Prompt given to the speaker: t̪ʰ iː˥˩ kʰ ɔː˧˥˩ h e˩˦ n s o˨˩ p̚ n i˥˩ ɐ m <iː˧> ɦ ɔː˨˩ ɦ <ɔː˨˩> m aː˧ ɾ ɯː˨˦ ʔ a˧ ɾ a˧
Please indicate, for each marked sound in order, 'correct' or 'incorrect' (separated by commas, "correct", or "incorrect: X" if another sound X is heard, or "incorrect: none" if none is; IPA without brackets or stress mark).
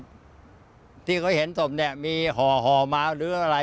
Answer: correct, correct